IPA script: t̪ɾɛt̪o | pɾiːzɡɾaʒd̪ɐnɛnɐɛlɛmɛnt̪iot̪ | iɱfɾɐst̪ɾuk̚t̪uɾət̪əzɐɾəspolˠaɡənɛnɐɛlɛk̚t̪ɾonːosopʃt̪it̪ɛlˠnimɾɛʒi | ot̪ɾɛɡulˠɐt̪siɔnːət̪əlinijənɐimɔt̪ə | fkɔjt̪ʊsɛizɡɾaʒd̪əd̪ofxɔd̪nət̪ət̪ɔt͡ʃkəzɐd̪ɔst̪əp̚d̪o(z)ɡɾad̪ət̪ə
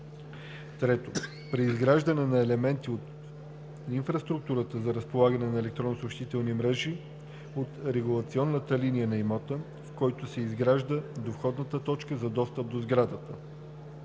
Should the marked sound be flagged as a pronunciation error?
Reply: no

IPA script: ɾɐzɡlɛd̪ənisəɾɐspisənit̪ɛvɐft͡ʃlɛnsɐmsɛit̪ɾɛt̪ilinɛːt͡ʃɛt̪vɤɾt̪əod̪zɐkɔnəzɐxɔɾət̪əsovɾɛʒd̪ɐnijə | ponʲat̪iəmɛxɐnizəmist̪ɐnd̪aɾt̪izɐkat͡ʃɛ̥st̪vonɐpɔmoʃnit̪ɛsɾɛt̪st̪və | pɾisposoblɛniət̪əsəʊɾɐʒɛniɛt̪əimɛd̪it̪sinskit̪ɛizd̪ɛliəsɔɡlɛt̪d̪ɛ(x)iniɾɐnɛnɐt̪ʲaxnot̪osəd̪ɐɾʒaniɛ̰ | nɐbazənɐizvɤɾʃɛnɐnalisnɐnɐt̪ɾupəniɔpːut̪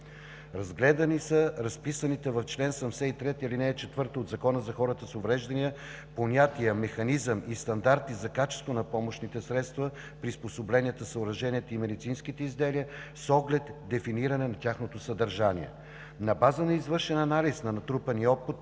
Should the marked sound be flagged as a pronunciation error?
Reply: yes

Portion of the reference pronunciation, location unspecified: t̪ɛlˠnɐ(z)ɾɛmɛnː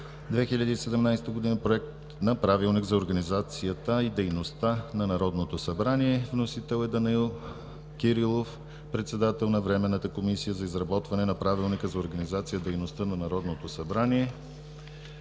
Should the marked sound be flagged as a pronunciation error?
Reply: yes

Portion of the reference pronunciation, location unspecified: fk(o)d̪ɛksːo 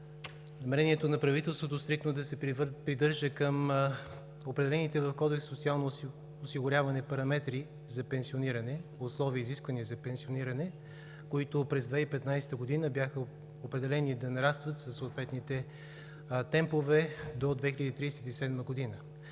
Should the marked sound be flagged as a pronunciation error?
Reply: yes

